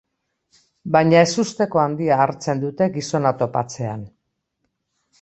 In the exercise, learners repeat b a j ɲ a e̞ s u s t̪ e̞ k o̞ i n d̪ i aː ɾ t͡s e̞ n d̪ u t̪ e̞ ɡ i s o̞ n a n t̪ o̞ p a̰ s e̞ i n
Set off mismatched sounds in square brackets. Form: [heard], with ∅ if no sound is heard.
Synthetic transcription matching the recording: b a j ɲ a e̞ s u s t̪ e̞ k o̞ [a] n d̪ i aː ɾ t͡s e̞ n d̪ u t̪ e̞ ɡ i s o̞ n a [∅] t̪ o̞ p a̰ [t͡s] e̞ [a] n